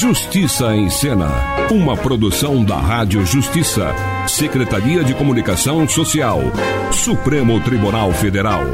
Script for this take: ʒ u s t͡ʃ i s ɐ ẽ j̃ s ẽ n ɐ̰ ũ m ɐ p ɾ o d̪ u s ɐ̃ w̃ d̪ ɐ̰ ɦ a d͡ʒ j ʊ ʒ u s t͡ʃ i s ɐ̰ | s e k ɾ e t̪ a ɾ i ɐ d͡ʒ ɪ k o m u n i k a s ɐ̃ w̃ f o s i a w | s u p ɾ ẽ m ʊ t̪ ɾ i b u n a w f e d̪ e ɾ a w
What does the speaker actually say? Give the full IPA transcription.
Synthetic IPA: ʒ u s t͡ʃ i s ɐ ẽ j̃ s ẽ n ɐ̰ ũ m ɐ p ɾ o d̪ u s ɐ̃ w̃ d̪ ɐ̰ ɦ a d͡ʒ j ʊ ʒ u s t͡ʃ i s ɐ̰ | s e k ɾ e t̪ a ɾ i ɐ d͡ʒ ɪ k o m u n i k a s ɐ̃ w̃ s o s i a w | s u p ɾ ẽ m ʊ t̪ ɾ i b u n a w f e d̪ e ɾ a w